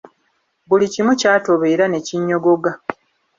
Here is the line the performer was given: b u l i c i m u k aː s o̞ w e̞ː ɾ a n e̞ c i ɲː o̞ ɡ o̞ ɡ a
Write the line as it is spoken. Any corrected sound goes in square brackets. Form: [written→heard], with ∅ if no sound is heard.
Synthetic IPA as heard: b u l i c i m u [k→c] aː [s→t] o̞ [w→β] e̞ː ɾ a n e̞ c i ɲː o̞ ɡ o̞ ɡ a